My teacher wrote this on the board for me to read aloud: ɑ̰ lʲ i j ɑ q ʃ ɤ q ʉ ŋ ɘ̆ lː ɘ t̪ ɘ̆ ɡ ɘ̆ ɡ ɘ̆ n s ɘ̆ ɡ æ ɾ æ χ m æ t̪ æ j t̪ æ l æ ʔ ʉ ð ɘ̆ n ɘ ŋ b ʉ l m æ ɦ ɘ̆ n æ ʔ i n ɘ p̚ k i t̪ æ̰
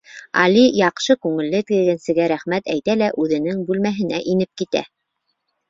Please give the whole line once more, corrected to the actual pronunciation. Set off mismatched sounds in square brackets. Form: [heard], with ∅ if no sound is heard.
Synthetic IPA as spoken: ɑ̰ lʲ i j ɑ q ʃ ɤ [k] ʉ ŋ ɘ̆ lː ɘ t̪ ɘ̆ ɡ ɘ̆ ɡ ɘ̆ n s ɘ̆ ɡ æ ɾ æ χ m æ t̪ æ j t̪ æ l æ ʔ ʉ ð ɘ̆ n ɘ ŋ b ʉ l m æ ɦ ɘ̆ n æ ʔ i n ɘ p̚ k i t̪ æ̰